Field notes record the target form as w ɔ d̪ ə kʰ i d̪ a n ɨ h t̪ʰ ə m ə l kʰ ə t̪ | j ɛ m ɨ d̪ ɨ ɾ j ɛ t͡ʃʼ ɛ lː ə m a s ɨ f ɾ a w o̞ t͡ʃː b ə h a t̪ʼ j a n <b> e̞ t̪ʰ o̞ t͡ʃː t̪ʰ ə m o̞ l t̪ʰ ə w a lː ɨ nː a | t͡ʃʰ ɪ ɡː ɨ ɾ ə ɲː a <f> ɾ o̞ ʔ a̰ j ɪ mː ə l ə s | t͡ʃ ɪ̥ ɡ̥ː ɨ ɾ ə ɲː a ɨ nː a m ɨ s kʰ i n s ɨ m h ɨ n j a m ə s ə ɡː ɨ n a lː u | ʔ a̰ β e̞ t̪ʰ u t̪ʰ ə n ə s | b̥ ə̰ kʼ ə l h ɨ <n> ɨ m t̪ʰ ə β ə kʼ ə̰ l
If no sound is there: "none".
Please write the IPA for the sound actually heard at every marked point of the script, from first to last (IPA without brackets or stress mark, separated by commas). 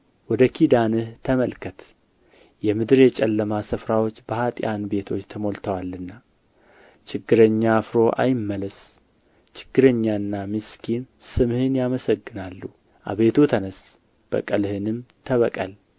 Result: b, f, n